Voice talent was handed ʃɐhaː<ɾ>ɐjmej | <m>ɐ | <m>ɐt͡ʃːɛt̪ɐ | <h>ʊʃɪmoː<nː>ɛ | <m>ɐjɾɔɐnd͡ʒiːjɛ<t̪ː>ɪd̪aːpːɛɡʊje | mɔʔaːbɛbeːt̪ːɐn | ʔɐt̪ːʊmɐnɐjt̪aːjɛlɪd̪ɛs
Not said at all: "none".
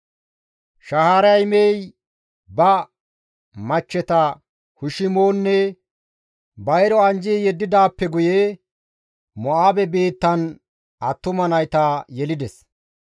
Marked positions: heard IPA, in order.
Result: ɾ, b, m, h, nː, b, d̪ː

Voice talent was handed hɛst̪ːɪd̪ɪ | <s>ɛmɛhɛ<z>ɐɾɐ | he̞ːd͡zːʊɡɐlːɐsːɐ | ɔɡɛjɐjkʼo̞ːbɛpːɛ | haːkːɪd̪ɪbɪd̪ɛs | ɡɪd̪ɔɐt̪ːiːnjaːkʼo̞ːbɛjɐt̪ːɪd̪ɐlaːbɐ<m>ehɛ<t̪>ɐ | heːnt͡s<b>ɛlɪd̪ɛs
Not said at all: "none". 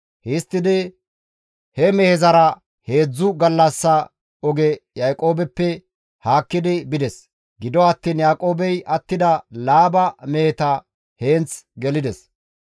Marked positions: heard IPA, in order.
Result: h, z, m, t̪, ɡ

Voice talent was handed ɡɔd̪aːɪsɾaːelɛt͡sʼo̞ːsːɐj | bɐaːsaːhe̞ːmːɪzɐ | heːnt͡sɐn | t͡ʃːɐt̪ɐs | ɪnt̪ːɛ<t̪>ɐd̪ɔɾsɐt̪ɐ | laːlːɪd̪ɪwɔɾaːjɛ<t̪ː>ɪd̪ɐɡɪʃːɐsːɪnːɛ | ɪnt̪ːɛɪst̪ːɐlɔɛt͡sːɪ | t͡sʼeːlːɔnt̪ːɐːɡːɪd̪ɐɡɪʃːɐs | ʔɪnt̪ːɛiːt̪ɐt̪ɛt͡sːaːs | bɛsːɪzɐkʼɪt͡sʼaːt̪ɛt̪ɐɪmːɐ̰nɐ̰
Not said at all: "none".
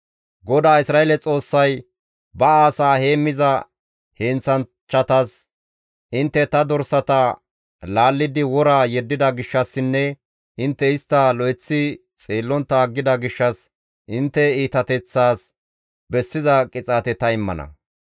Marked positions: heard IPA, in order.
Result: t̪, d̪ː

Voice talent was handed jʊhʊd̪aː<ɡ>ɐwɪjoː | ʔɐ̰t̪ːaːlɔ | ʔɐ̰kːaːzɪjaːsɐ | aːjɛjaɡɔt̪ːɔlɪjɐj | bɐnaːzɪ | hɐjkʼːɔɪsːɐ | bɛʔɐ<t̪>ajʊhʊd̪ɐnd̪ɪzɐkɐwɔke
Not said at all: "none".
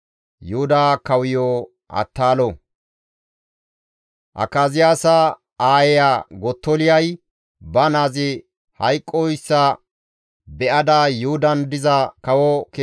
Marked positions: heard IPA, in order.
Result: k, d̪

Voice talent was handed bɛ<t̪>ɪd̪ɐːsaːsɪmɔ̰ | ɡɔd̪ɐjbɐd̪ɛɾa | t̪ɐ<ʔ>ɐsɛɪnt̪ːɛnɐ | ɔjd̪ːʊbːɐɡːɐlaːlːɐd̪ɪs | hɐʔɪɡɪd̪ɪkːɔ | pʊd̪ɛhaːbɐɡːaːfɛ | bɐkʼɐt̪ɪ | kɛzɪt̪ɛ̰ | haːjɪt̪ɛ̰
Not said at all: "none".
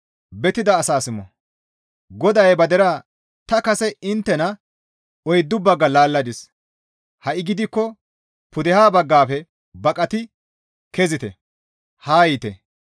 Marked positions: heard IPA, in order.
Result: t̪, k

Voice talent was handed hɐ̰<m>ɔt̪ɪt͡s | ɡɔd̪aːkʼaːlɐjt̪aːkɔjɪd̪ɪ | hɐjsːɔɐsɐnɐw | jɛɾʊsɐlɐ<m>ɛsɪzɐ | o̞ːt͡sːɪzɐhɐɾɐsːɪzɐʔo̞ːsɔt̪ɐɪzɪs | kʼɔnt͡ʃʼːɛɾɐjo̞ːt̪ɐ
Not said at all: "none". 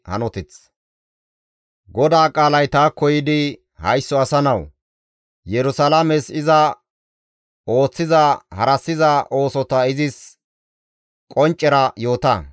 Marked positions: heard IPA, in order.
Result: n, m

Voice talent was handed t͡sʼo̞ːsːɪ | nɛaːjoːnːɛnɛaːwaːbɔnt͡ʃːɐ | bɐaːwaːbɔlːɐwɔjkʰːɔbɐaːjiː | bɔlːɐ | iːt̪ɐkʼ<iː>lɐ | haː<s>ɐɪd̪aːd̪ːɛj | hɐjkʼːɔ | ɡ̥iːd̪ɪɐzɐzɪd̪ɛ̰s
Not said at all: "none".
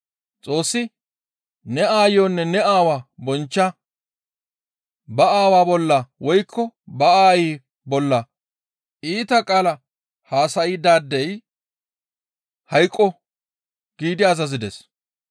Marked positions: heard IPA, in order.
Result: aː, s

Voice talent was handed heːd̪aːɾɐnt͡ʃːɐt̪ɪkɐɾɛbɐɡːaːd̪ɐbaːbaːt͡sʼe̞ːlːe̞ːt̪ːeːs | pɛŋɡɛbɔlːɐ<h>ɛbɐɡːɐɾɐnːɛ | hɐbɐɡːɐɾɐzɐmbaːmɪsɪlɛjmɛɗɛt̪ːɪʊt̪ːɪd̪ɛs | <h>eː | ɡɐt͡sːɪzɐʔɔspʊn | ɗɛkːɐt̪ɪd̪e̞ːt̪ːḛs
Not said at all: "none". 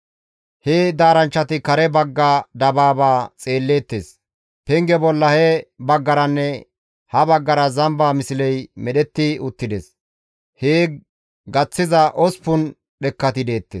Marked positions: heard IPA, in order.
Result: h, h

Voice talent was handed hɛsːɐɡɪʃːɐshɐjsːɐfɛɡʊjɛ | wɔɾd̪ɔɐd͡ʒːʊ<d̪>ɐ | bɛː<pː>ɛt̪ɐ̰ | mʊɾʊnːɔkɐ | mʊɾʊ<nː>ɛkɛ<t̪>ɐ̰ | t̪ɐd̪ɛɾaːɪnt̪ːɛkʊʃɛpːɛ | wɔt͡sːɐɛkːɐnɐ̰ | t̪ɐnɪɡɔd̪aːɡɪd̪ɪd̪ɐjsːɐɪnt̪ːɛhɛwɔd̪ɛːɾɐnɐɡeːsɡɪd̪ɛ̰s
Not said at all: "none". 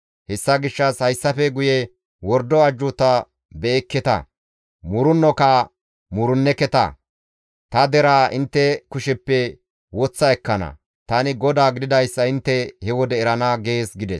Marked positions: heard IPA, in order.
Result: t̪, kː, nː, t̪

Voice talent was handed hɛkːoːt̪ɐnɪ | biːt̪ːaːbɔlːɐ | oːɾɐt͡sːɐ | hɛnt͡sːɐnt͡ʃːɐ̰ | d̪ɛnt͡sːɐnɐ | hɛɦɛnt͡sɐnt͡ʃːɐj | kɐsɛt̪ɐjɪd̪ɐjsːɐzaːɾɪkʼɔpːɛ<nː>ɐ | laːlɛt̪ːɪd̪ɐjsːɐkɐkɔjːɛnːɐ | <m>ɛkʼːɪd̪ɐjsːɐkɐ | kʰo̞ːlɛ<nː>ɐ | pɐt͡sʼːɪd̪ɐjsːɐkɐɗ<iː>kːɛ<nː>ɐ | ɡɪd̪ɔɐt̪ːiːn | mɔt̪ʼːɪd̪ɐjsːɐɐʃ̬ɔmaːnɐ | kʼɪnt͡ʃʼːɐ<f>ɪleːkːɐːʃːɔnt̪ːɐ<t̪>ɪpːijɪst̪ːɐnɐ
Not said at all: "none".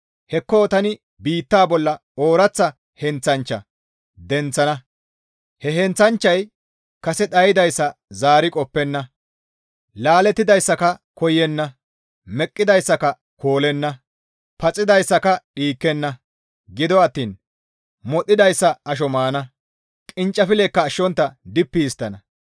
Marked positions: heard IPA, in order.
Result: nː, m, nː, iː, nː, f, d̪

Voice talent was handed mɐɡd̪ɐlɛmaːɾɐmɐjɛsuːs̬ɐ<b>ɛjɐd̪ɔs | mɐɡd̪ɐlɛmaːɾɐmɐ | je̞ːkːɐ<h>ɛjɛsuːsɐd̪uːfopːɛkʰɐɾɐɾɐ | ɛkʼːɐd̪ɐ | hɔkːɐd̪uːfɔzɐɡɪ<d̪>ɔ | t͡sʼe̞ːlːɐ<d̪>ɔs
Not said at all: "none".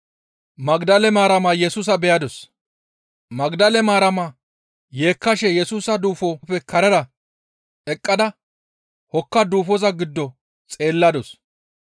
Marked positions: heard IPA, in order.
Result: b, ʃ, d̪ː, d̪

